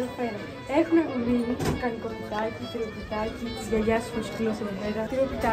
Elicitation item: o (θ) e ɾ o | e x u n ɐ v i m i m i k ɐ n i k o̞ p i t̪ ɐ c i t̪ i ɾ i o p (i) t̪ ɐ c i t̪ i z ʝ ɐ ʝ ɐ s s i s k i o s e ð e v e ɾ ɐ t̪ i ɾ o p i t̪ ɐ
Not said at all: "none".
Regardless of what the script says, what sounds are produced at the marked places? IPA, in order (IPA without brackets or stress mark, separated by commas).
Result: f, i